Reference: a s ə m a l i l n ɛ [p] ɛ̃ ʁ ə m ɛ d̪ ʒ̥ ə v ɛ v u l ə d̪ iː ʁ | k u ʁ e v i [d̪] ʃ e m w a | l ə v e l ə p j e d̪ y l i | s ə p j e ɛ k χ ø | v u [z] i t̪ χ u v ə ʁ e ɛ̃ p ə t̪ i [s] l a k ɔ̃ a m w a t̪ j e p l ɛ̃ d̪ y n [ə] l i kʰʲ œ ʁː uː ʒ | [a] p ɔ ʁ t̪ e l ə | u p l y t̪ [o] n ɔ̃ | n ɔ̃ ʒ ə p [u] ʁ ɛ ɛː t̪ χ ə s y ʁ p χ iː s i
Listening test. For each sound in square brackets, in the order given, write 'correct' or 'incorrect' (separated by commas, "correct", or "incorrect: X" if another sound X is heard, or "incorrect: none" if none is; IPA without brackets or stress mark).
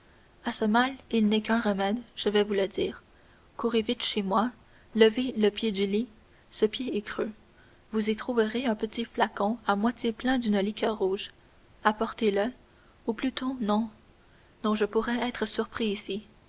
incorrect: k, incorrect: t̪, correct, incorrect: f, correct, correct, correct, correct